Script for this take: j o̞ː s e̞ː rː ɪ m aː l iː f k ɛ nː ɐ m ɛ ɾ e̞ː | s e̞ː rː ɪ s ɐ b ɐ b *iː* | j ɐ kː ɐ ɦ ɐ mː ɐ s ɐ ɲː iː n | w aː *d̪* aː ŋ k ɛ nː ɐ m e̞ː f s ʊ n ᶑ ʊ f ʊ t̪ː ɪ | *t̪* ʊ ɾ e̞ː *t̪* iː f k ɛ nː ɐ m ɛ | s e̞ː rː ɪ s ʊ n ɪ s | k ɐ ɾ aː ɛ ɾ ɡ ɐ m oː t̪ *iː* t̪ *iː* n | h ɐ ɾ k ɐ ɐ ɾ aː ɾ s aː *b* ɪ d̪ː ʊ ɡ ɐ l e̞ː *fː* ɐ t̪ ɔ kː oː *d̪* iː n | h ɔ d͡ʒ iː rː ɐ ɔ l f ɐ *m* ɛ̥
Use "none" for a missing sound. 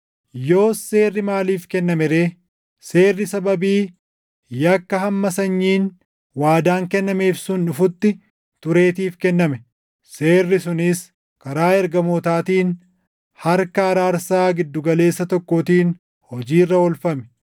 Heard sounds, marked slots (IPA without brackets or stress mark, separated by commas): iː, d̪, t̪, t̪, aː, iː, ɡ, sː, t̪, m